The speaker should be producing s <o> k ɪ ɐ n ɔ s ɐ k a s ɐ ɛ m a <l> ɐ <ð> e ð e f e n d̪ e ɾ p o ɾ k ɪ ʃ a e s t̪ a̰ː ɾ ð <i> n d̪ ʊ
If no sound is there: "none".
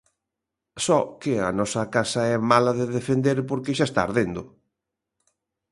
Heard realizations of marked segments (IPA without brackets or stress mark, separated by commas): ɔ, l, ð, e